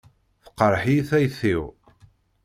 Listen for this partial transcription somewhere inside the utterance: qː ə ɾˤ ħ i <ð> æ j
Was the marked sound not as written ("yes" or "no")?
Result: yes